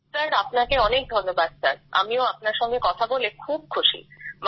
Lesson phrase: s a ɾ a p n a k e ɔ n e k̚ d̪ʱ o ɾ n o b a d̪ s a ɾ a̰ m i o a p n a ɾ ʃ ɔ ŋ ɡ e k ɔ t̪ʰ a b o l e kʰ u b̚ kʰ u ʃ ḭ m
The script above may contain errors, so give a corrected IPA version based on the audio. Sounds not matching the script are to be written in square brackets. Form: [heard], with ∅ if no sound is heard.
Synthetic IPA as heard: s a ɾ a p n a k e ɔ n e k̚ d̪ʱ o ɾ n o b a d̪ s a ɾ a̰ m i o a p n a ɾ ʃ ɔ ŋ ɡ e k ɔ t̪ʰ a b o l e kʰ u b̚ kʰ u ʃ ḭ m